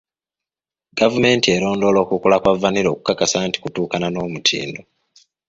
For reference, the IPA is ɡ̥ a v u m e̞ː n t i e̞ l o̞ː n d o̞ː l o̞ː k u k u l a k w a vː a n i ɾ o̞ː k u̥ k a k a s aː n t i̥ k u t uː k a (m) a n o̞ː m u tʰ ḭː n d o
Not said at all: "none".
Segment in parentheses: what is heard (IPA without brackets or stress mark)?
n